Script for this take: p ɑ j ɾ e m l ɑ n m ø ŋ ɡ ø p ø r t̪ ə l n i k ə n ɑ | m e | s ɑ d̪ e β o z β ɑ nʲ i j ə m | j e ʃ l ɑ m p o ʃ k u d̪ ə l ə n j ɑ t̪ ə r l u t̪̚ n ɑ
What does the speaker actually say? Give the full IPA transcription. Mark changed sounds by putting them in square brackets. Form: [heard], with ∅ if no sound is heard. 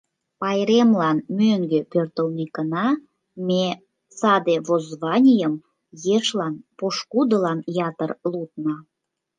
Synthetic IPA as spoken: p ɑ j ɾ e m l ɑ n m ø ŋ ɡ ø p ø r t̪ ə l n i k ə n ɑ | m e | s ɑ d̪ e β o z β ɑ nʲ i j ə m | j e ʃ l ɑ [n] p o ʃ k u d̪ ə l [ɑ] n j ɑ t̪ ə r l u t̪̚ n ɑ